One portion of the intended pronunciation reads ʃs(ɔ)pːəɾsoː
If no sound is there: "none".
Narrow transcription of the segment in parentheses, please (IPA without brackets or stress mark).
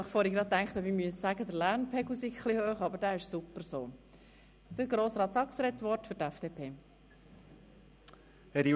u